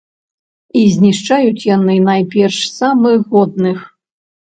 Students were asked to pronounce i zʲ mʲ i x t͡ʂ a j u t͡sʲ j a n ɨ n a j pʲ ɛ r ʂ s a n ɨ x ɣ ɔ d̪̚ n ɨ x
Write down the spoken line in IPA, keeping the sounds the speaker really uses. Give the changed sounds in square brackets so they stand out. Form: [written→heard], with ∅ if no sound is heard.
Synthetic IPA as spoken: i zʲ [mʲ→nʲ] i [x→ʂ] t͡ʂ a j u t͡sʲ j a n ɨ n a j pʲ ɛ r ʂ s a [n→m] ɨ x ɣ ɔ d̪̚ n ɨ x